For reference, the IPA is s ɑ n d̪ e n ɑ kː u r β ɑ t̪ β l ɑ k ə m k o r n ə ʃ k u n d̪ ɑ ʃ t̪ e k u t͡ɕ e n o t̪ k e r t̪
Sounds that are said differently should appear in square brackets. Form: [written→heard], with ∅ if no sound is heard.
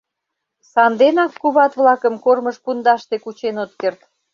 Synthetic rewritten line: s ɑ n d̪ e n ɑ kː u [r→∅] β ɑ t̪ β l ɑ k ə m k o r [n→m] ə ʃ [k→p] u n d̪ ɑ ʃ t̪ e k u t͡ɕ e n o t̪ k e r t̪